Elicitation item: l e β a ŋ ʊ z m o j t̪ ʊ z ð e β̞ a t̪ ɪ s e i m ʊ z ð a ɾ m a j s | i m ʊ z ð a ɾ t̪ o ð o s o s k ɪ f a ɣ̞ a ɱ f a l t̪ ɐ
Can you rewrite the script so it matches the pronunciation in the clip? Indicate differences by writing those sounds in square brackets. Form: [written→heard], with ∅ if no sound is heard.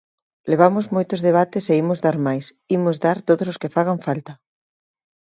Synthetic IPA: l e β a [ŋ→m] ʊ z m o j t̪ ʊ z ð e β̞ a t̪ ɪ s e i m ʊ z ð a ɾ m a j s | i m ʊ z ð a ɾ t̪ o ð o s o s k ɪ f a ɣ̞ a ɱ f a l t̪ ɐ